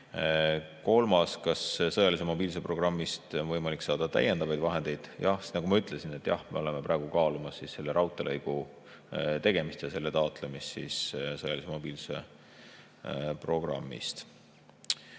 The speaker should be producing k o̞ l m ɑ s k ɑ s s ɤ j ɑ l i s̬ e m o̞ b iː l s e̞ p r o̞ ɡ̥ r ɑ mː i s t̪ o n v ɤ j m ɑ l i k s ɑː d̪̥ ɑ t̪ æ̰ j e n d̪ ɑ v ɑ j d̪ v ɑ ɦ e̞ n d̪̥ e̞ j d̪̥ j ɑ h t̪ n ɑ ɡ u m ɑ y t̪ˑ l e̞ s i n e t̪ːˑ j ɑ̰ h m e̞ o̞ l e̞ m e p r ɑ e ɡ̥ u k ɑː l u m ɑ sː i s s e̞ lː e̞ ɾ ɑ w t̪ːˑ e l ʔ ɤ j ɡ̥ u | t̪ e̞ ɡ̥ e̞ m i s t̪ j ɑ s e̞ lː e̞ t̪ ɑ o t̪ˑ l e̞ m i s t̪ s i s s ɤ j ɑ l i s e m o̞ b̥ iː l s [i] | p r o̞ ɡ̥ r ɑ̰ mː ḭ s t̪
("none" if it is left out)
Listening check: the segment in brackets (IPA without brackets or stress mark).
e